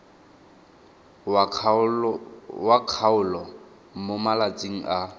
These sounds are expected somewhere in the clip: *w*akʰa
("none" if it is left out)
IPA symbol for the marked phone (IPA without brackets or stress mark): w